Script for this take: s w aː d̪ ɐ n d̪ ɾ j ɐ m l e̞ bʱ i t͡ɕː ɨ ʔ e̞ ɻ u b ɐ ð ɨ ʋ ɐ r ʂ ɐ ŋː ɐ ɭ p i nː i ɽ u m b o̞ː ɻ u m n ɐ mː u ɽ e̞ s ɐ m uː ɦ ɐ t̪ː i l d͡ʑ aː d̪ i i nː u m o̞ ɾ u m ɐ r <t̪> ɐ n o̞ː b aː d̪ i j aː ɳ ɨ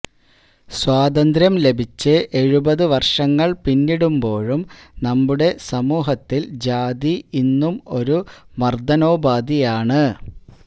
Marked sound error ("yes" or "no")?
yes